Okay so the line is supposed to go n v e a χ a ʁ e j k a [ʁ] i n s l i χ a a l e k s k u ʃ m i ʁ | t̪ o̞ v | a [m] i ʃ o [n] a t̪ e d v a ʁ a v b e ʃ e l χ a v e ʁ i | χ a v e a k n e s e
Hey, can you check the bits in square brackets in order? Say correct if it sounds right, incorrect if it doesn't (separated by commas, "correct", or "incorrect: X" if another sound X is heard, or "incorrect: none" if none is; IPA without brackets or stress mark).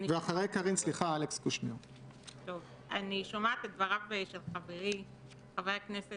correct, incorrect: n, incorrect: m